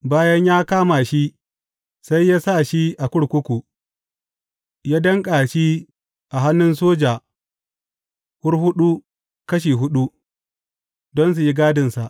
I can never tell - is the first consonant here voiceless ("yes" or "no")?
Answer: no